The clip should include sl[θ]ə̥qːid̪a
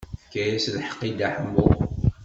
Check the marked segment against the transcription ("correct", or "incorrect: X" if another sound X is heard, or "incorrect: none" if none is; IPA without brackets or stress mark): incorrect: ħ